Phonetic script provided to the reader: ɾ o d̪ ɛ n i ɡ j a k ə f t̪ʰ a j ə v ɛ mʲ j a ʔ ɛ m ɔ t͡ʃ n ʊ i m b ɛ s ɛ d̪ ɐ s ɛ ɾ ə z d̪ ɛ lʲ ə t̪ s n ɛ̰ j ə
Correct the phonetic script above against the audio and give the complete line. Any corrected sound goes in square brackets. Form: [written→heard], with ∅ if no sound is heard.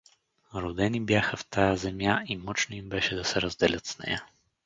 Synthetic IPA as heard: ɾ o d̪ ɛ n i [ɡ→b] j a [k→x] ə f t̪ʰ a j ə [v→z] ɛ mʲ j a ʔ [ɛ→i] m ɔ t͡ʃ n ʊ i m b ɛ [s→ʃ] ɛ d̪ ɐ s ɛ ɾ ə z d̪ ɛ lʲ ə t̪ s n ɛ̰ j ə